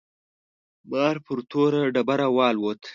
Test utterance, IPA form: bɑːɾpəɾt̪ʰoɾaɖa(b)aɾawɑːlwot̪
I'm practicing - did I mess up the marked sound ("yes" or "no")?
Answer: no